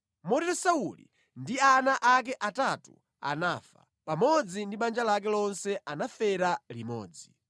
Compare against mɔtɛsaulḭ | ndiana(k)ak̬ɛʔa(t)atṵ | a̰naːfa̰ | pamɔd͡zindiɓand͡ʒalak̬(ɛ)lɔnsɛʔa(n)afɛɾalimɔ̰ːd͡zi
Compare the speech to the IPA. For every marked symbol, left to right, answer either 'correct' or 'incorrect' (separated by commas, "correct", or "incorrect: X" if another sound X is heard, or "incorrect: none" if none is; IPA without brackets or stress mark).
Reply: incorrect: ʔ, correct, correct, correct